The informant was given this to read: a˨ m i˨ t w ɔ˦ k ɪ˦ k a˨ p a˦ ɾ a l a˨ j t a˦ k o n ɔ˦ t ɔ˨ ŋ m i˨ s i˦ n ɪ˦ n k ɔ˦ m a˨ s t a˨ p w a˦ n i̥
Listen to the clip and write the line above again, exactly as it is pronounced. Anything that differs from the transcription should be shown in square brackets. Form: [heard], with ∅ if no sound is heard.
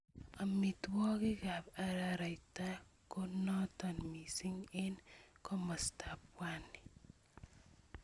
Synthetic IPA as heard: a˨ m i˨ t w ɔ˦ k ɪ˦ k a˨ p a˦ ɾ a [ɾ] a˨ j t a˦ k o n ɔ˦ t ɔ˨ [n] m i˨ s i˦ [ŋ] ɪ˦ n k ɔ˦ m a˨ s t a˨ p w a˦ n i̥